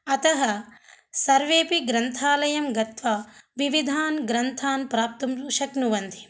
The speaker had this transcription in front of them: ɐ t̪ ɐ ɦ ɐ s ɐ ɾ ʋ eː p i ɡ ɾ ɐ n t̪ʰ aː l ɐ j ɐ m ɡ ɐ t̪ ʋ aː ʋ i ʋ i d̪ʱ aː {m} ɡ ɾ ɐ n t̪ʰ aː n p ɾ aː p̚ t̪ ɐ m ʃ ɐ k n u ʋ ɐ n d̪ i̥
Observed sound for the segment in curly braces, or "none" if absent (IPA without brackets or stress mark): n